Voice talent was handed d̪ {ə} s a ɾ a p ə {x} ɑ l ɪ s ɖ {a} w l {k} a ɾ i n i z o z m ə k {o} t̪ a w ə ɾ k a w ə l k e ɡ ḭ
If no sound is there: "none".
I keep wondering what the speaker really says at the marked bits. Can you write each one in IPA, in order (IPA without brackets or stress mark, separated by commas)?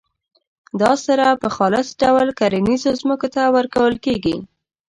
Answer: ɑ, x, a, k, o